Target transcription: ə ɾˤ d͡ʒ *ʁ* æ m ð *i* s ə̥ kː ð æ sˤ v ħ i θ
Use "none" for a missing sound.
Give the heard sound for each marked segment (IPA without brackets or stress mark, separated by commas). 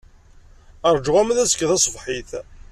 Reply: ʁ, æ